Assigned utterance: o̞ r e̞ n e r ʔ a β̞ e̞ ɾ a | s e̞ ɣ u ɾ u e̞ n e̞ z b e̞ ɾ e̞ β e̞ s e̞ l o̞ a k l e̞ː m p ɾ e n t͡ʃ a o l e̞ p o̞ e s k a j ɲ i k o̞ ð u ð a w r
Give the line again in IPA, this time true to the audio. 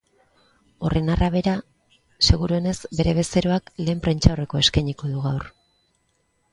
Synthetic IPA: o̞ r e̞ n a r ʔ a β̞ e̞ ɾ a | s e̞ ɣ u ɾ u e̞ n e̞ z b e̞ ɾ e̞ β e̞ s e̞ ɾ o̞ a k l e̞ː m p ɾ e n t͡ʃ a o r e̞ k o̞ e s k a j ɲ i k o̞ ð u ɣ a w r